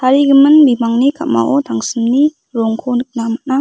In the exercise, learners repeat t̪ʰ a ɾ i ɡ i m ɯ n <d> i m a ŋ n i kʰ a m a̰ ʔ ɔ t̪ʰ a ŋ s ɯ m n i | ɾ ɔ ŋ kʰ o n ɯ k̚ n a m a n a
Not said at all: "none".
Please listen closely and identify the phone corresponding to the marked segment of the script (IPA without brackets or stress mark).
b